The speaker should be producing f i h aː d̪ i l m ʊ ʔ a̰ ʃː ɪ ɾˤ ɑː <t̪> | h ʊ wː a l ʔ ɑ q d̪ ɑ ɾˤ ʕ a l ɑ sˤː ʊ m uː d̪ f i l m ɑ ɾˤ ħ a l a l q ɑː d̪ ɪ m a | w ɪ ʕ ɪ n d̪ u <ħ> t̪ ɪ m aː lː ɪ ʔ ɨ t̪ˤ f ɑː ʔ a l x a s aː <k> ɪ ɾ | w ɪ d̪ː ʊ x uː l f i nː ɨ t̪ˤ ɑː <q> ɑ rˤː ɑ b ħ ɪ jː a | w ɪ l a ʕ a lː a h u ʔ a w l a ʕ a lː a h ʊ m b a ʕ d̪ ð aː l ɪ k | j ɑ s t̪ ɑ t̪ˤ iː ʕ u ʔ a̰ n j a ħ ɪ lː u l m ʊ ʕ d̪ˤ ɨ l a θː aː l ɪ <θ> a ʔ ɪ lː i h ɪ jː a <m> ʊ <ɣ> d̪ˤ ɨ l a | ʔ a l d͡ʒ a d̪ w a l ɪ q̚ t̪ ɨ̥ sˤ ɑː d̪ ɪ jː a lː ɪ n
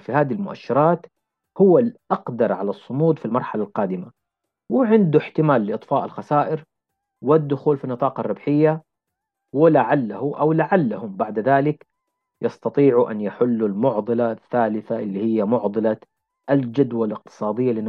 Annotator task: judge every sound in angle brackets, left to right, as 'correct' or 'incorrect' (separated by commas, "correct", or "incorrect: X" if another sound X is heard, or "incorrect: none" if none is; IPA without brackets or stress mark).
correct, correct, incorrect: ʔ, correct, correct, correct, incorrect: ʕ